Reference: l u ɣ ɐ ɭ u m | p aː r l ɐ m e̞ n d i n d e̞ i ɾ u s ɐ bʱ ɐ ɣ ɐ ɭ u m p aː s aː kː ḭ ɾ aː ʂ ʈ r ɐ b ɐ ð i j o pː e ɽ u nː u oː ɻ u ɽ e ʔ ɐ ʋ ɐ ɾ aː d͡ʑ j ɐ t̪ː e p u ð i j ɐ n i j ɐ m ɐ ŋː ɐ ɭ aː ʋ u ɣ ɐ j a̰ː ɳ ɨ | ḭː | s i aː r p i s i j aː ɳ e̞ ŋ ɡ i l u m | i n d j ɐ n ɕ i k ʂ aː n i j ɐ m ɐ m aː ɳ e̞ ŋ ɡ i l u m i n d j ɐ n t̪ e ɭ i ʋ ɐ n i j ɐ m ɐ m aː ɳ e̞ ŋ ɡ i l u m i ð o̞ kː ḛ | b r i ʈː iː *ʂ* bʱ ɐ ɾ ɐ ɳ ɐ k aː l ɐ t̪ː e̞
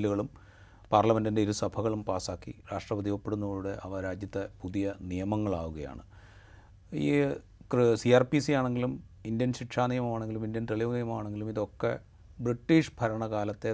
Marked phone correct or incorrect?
correct